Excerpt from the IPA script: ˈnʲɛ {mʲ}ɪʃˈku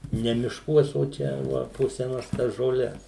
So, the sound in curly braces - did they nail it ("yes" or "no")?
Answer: yes